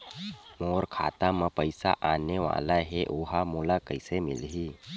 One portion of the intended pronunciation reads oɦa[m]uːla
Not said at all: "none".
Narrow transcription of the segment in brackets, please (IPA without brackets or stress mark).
m